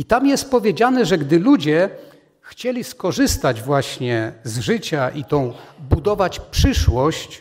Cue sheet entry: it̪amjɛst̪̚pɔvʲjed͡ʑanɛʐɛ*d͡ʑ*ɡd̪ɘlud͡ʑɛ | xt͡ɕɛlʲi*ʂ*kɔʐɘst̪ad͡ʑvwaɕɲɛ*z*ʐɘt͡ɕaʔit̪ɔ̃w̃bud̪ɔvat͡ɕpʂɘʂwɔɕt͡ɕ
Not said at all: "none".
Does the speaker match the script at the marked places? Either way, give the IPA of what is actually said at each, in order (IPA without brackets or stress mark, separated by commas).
none, s, z